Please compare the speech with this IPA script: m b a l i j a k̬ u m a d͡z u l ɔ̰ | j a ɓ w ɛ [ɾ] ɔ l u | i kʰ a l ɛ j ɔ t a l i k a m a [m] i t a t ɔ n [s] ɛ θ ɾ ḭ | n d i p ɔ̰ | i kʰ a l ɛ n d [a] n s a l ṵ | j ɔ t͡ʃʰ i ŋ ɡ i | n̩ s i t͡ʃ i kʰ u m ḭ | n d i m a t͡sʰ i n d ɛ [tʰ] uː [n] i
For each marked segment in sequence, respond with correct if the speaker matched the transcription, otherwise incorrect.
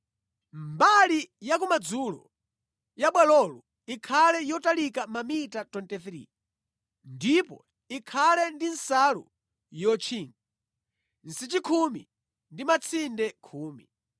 incorrect, correct, incorrect, incorrect, incorrect, incorrect

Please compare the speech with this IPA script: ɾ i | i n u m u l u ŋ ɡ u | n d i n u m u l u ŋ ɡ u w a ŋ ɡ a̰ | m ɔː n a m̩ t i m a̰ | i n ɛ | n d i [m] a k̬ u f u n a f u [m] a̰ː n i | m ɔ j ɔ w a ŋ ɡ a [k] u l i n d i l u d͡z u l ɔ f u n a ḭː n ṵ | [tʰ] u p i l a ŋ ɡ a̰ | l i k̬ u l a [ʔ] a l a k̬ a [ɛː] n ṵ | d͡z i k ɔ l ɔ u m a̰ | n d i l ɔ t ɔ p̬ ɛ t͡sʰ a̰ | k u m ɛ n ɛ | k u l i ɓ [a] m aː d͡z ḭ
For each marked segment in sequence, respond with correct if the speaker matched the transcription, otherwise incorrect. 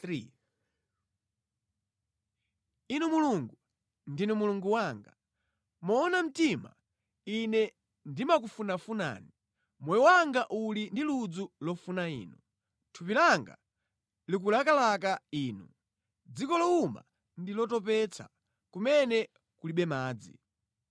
correct, incorrect, incorrect, correct, incorrect, incorrect, incorrect

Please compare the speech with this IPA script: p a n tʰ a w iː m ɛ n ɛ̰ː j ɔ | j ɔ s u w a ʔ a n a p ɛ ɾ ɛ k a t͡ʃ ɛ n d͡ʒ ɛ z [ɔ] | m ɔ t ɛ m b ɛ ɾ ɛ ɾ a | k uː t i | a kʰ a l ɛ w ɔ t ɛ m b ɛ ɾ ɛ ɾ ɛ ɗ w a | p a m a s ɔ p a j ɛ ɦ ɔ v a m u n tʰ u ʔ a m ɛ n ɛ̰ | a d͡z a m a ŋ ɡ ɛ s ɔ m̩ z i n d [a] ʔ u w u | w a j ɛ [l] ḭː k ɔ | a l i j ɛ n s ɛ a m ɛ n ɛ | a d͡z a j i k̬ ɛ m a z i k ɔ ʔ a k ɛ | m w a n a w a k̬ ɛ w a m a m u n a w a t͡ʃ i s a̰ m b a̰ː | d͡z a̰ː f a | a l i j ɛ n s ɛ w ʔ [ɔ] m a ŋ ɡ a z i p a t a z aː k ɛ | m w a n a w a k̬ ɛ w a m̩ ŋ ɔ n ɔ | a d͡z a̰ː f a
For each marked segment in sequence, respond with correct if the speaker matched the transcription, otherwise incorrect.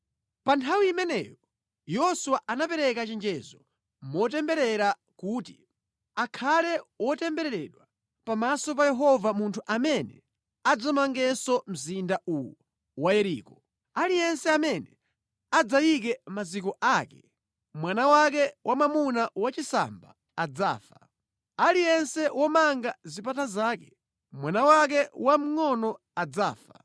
correct, correct, incorrect, correct

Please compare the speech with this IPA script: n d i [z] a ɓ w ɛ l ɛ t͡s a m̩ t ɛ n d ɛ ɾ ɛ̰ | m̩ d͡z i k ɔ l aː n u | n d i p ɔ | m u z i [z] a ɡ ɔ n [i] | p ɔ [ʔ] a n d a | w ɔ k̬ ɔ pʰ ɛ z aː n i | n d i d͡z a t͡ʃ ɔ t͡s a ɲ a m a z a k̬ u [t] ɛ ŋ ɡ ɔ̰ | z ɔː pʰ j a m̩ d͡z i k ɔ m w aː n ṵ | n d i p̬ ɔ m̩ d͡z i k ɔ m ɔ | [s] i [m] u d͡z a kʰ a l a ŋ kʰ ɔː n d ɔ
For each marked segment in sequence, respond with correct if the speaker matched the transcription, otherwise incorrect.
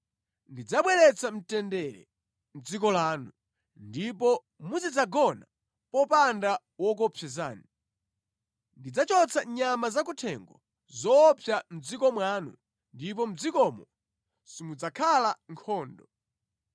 incorrect, incorrect, incorrect, incorrect, incorrect, correct, correct

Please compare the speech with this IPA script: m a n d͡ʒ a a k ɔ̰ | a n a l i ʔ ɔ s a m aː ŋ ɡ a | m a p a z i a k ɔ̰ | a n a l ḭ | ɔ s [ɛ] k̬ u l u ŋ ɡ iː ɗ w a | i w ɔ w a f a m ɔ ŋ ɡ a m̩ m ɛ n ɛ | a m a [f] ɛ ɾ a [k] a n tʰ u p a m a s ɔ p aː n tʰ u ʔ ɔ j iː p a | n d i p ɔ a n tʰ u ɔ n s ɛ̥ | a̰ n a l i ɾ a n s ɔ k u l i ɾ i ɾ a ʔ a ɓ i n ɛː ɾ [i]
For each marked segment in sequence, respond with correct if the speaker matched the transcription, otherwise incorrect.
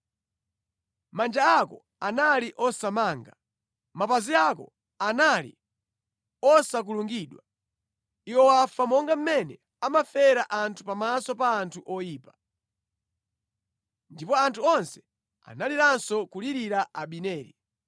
incorrect, correct, incorrect, correct

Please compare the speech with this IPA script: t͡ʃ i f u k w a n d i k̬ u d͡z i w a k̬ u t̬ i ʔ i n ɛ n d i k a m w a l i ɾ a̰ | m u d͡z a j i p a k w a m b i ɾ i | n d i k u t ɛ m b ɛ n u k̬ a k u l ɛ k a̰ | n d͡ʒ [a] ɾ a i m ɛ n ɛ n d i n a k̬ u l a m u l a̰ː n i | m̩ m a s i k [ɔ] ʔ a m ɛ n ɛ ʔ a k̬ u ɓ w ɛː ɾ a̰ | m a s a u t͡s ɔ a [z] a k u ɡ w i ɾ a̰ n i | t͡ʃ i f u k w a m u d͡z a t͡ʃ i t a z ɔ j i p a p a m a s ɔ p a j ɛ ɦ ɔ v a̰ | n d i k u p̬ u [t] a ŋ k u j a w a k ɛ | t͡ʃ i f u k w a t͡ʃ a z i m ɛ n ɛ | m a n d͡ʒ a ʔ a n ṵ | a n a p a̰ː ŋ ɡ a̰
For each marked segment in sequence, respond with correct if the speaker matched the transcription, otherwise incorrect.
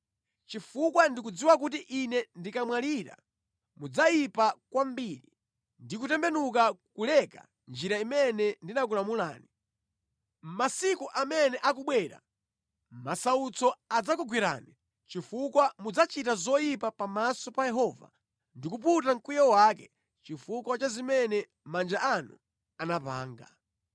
incorrect, incorrect, incorrect, correct

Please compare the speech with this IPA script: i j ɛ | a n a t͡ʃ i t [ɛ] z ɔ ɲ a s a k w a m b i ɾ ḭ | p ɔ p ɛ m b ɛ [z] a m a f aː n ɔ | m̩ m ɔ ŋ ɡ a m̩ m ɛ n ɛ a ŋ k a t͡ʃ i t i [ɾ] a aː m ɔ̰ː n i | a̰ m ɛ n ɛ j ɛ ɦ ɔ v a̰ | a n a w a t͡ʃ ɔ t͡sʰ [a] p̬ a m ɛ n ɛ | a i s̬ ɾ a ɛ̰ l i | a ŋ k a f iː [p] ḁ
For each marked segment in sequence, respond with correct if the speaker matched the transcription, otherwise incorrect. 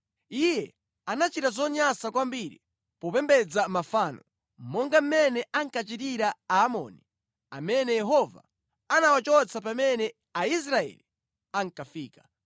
incorrect, incorrect, correct, correct, incorrect

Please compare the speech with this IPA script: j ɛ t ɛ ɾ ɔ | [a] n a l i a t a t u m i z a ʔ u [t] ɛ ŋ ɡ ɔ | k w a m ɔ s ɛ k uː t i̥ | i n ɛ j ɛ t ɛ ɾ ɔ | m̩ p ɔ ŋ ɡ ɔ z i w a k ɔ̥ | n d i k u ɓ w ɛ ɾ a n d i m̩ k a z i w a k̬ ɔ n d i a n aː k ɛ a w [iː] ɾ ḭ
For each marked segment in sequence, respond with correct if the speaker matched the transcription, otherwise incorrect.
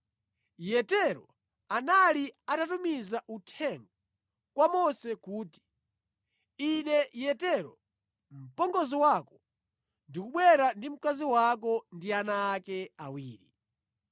correct, incorrect, correct

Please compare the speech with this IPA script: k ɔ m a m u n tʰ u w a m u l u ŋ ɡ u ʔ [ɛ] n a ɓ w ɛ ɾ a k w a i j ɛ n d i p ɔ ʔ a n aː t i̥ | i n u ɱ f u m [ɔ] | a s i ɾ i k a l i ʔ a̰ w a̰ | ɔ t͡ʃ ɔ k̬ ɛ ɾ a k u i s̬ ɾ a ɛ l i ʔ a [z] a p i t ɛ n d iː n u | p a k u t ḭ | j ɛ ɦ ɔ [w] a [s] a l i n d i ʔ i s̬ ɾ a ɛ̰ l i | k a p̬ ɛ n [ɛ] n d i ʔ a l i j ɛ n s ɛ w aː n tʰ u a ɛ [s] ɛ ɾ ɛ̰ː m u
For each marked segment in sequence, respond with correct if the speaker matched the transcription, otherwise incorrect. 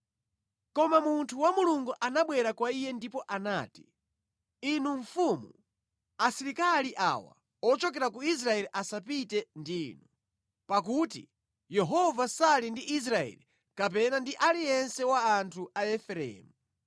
incorrect, incorrect, incorrect, incorrect, correct, incorrect, incorrect

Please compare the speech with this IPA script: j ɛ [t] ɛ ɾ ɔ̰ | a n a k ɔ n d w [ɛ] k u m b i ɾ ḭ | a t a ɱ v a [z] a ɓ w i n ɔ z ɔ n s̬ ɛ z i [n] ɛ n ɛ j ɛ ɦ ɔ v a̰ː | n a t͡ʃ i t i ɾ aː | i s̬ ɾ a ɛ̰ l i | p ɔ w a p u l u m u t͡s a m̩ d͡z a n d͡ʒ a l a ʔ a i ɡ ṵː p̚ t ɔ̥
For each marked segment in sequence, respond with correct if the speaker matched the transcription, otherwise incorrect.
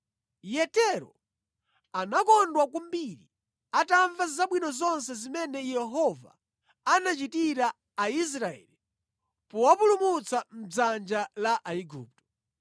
correct, incorrect, correct, incorrect

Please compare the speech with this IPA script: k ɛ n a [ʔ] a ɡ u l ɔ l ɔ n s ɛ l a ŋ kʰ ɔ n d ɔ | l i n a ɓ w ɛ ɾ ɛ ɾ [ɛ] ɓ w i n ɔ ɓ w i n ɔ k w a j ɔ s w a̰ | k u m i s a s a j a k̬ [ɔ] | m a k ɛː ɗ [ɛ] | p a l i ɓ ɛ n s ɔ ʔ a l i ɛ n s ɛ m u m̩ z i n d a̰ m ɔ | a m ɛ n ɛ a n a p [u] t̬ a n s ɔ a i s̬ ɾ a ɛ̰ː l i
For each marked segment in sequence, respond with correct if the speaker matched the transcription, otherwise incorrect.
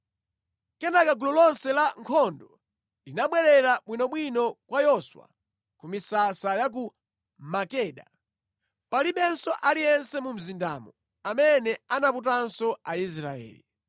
incorrect, incorrect, incorrect, incorrect, correct

